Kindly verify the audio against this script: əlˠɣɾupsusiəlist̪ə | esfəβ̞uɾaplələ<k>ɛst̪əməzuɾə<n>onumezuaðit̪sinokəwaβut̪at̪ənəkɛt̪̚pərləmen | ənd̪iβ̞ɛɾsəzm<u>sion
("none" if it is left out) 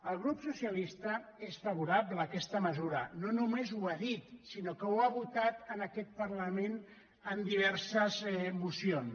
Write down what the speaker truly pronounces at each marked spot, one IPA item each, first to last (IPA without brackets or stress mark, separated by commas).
k, n, u